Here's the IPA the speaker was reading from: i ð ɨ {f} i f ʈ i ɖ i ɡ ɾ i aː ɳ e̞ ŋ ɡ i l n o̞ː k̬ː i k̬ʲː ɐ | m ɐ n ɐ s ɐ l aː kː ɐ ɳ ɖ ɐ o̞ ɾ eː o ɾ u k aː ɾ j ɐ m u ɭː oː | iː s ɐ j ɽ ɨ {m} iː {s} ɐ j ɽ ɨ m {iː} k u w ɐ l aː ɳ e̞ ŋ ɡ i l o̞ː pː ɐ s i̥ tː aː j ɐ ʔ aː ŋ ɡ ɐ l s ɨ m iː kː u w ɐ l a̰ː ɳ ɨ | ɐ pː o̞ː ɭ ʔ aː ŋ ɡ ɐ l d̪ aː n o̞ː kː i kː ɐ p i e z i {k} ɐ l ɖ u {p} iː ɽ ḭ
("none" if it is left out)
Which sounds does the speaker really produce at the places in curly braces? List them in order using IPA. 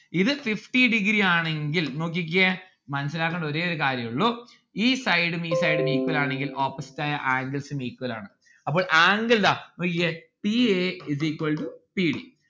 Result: f, m, s, iː, k, p

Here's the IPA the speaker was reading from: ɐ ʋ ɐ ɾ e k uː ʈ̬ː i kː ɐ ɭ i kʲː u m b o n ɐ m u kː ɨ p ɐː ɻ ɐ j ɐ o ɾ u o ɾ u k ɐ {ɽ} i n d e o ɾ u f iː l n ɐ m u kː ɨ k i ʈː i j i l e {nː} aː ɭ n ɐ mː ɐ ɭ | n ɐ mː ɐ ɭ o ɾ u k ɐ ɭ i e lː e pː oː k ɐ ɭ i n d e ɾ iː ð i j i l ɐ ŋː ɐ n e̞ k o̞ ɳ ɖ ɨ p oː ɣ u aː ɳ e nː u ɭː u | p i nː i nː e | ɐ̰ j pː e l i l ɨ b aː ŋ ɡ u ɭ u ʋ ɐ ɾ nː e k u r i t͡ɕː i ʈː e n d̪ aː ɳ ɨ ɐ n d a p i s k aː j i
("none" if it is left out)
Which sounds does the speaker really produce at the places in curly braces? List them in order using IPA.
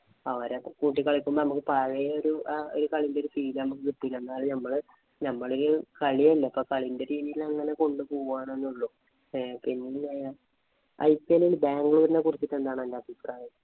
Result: ɭ, nː

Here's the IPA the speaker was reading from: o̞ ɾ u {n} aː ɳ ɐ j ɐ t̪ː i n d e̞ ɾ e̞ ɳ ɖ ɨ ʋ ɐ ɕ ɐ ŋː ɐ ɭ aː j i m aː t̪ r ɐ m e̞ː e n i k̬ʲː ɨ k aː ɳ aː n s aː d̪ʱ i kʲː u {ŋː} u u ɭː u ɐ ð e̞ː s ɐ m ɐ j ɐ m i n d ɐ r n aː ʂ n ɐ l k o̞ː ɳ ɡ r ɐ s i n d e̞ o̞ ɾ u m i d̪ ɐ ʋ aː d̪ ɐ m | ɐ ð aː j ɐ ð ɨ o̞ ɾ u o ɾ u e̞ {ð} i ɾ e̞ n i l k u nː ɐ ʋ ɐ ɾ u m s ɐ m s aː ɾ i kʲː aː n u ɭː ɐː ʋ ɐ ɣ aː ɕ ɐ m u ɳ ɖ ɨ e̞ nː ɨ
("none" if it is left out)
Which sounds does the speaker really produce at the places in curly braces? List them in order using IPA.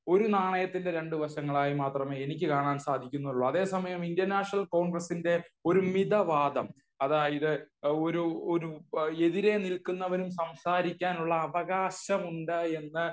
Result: n, nː, ð

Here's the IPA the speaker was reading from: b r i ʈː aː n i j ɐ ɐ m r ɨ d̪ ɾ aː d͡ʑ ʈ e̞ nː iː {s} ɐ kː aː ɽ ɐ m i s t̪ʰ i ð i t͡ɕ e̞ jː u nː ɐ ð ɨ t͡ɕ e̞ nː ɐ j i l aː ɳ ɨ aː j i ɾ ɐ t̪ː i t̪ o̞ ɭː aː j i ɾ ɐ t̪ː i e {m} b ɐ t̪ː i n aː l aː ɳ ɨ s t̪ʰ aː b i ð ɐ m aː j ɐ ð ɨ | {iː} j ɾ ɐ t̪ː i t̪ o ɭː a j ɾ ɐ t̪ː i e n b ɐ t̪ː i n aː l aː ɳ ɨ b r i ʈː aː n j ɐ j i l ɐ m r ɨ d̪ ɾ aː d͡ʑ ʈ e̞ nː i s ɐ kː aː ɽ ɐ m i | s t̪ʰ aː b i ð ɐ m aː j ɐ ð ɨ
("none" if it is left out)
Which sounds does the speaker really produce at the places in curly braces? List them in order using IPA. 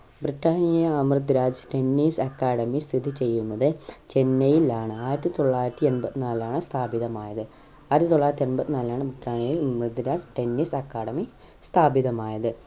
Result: s, n, aː

